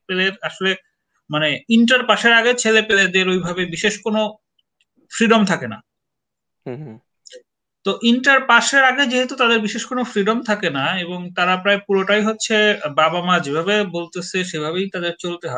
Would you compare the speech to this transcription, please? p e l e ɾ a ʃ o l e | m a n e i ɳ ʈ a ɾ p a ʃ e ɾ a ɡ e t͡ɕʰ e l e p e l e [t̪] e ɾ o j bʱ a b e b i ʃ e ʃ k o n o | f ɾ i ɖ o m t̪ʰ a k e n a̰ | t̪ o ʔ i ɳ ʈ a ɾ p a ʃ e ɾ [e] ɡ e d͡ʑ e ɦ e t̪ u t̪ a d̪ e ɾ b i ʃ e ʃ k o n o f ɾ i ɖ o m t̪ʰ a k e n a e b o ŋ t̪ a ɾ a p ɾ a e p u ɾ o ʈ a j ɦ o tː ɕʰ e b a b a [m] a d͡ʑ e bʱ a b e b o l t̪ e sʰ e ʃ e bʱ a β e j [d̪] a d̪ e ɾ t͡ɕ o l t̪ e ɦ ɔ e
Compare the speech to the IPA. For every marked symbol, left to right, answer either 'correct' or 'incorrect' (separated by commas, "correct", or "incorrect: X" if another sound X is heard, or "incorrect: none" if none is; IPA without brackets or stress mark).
incorrect: d̪, incorrect: a, correct, incorrect: t̪